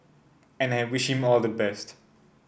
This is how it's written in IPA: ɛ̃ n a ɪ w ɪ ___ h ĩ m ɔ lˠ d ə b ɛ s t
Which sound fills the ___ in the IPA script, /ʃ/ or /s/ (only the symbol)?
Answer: ʃ